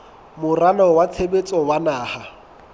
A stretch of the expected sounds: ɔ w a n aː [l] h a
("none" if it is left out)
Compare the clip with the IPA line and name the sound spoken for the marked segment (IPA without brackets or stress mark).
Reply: none